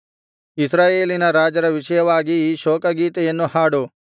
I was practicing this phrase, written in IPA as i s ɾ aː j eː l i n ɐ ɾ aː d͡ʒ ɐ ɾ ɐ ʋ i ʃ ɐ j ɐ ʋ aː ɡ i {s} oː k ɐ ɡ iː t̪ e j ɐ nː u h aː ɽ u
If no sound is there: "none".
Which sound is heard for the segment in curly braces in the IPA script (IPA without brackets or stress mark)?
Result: ʃ